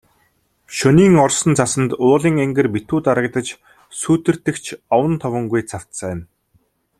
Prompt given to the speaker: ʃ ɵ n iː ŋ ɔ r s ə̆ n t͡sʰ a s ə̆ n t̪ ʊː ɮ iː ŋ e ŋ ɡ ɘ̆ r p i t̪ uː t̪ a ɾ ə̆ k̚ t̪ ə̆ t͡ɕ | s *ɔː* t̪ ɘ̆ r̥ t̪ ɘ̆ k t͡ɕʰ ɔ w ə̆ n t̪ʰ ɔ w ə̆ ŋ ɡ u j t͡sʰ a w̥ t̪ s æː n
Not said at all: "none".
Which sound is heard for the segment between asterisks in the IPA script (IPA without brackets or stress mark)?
uː